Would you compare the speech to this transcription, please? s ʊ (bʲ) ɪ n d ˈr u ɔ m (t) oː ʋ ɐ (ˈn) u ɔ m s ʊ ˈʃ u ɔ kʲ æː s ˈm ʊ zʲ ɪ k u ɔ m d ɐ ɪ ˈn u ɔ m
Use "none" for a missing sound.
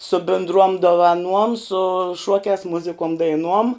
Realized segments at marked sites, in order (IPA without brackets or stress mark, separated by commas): bʲ, d, n